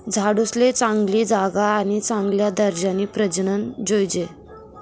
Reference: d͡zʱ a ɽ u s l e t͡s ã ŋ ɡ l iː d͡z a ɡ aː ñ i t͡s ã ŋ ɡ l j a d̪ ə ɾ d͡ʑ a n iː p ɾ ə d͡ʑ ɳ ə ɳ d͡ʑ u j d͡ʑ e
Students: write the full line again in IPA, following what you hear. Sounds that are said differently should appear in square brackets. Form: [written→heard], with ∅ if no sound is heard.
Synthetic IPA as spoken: d͡zʱ a ɽ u s l e t͡s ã ŋ ɡ l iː d͡z a ɡ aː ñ i t͡s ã ŋ ɡ l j a d̪ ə ɾ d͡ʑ a n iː p ɾ ə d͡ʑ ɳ ə [ɳ→n] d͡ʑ [u→o] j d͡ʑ e

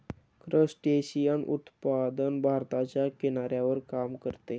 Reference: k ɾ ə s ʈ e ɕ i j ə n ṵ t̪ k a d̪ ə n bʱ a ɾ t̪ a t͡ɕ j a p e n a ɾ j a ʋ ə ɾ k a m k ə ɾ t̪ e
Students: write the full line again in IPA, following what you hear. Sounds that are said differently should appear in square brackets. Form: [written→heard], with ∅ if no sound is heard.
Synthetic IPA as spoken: k ɾ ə s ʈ e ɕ i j ə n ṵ t̪ [k→p] a d̪ ə n bʱ a ɾ t̪ a t͡ɕ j a [p→k] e n a ɾ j a ʋ ə ɾ k a m k ə ɾ t̪ e

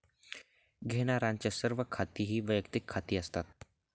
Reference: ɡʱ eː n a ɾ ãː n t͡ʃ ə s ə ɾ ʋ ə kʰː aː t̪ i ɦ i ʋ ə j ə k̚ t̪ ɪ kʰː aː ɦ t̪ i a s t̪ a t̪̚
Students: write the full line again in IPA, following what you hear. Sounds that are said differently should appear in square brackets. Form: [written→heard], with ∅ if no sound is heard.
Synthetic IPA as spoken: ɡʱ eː n a ɾ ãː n t͡ʃ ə s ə ɾ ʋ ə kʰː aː t̪ i ɦ i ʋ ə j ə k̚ t̪ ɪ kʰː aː [ɦ→∅] t̪ i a s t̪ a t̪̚

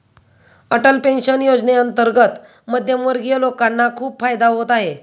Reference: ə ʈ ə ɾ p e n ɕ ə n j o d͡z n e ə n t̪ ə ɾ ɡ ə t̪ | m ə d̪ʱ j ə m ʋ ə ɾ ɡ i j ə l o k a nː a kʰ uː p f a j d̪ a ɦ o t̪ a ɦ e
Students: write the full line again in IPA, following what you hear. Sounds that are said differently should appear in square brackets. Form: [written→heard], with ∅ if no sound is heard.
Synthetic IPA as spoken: ə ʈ ə [ɾ→l] p e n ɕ ə n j o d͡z n e ə n t̪ ə ɾ ɡ ə t̪ | m ə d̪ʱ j ə m ʋ ə ɾ ɡ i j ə l o k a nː a kʰ uː p f a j d̪ a ɦ o t̪ a ɦ e

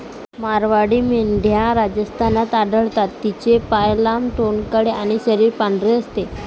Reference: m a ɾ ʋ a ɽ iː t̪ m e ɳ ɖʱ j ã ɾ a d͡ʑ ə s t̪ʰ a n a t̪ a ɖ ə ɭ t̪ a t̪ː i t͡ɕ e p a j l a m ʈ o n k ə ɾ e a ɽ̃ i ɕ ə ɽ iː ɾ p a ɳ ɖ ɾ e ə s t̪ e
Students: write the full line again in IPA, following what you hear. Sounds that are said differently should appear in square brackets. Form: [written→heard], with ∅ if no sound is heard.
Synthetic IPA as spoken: m a ɾ ʋ a ɽ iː [t̪→∅] m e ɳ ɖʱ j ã ɾ a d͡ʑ ə s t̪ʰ a n a t̪ a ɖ ə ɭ t̪ a t̪ː i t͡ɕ e p a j l a m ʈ o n k ə [ɾ→ɽ] e a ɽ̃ i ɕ ə [ɽ→ɾ] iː ɾ p a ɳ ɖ ɾ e ə s t̪ e

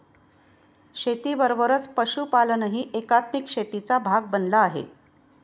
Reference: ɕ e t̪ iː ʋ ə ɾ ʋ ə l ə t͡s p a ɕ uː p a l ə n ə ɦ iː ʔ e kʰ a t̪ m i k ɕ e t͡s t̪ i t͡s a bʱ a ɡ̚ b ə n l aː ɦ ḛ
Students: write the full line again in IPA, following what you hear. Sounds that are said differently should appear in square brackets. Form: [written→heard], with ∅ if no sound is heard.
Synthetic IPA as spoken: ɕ e t̪ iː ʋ ə ɾ ʋ ə [l→ɾ] ə t͡s p [a→ə] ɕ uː p a l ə n ə ɦ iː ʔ e [kʰ→k] a t̪ m i k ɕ e [t͡s→∅] t̪ i t͡s a bʱ a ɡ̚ b ə n l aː ɦ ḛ

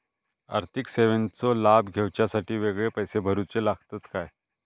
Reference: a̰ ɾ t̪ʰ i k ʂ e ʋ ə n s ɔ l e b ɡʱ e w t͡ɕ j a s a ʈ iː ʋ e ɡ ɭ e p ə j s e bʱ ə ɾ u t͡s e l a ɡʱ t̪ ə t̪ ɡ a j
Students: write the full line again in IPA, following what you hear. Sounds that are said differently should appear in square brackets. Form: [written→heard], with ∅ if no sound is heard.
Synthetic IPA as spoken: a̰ ɾ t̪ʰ i k [ʂ→s] e ʋ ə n [s→t͡s] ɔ l [e→a] b ɡʱ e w t͡ɕ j a s a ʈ iː ʋ e ɡ ɭ e p ə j s e bʱ ə ɾ u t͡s e l a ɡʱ t̪ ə t̪ [ɡ→k] a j

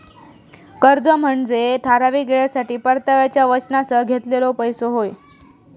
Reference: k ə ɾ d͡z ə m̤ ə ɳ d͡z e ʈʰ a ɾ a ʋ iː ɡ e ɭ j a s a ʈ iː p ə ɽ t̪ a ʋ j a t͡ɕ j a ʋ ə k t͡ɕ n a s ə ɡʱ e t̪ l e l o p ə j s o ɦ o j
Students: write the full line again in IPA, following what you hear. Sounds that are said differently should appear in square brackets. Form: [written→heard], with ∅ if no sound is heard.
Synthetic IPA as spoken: k ə ɾ d͡z ə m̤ ə ɳ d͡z e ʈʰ a ɾ a ʋ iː ɡ e ɭ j a s a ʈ iː p ə [ɽ→ɾ] t̪ a ʋ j a t͡ɕ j a ʋ ə [k→∅] t͡ɕ n a s ə ɡʱ e t̪ l e l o p ə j s o ɦ o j

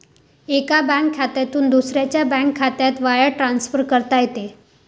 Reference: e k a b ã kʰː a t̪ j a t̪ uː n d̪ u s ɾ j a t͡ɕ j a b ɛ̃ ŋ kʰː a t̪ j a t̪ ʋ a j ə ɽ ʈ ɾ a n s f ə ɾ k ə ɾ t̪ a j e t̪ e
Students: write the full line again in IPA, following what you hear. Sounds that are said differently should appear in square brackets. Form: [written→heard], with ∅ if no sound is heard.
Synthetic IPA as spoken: e k a b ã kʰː a t̪ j a t̪ uː n d̪ u s ɾ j a t͡ɕ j a b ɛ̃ ŋ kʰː a t̪ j a t̪ ʋ a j ə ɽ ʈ ɾ a n s f ə ɾ k ə ɾ t̪ a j e t̪ e

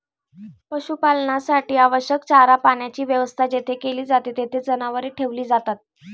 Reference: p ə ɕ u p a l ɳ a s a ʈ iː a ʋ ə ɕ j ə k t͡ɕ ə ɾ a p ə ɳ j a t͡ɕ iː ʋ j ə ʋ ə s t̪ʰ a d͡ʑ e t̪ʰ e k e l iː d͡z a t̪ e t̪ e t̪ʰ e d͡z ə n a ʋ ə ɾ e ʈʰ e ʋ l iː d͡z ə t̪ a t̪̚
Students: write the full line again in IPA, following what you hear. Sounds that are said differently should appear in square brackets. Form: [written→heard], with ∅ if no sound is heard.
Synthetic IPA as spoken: p ə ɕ u p a l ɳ a s a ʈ iː a ʋ ə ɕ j ə k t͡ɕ [ə→a] ɾ a p [ə→a] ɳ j a t͡ɕ iː ʋ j ə ʋ ə s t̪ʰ a d͡ʑ e t̪ʰ e k e l iː d͡z a t̪ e t̪ e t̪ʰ e d͡z ə n a ʋ ə ɾ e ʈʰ e ʋ l iː d͡z [ə→a] t̪ a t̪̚

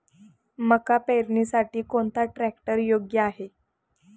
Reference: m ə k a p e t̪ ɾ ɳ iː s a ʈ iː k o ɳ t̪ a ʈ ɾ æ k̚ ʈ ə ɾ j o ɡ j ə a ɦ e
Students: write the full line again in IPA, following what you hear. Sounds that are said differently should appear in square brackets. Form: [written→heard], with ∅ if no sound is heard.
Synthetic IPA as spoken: m ə k a p e [t̪→∅] ɾ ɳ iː s a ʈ iː k o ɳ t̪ a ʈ ɾ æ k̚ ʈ ə ɾ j o ɡ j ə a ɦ e

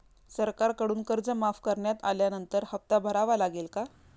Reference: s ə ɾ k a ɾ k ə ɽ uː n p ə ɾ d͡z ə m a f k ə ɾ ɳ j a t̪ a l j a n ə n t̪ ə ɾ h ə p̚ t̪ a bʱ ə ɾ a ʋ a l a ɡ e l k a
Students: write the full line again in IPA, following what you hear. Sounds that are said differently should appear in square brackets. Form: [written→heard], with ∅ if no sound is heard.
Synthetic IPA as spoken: s ə ɾ k a ɾ k ə ɽ uː n [p→k] ə ɾ d͡z ə m a f k ə ɾ ɳ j a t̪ a l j a n ə n t̪ ə ɾ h ə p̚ t̪ a bʱ ə ɾ a ʋ a l a ɡ e l k a

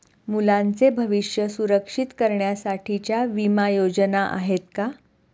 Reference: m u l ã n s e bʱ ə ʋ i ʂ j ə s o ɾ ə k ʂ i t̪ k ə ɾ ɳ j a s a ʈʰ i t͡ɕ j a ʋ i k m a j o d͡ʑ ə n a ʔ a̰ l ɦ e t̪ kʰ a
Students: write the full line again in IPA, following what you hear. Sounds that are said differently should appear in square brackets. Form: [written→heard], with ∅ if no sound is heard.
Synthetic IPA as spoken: m u l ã n [s→t͡s] e bʱ ə ʋ i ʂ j ə s [o→u] ɾ ə k ʂ i t̪ k ə ɾ ɳ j a s a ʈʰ i t͡ɕ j a ʋ i [k→∅] m a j o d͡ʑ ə n a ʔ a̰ [l→∅] ɦ e t̪ [kʰ→k] a

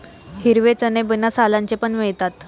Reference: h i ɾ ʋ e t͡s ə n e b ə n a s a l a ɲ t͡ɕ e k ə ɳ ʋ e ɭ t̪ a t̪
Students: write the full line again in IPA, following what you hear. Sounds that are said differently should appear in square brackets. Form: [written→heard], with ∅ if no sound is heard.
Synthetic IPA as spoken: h i ɾ ʋ e t͡s ə n e b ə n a s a l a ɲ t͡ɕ e [k→p] ə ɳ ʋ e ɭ t̪ a t̪

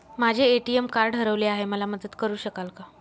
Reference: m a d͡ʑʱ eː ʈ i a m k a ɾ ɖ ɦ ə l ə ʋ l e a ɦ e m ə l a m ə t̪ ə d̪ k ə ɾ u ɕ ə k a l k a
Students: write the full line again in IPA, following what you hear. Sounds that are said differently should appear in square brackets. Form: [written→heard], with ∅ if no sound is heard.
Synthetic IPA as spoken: m a d͡ʑʱ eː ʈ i [a→e] m k a ɾ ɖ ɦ ə [l→ɾ] ə ʋ l e a ɦ e m ə l a m ə [t̪→d̪] ə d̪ k ə ɾ [u→uː] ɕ ə k a l k a

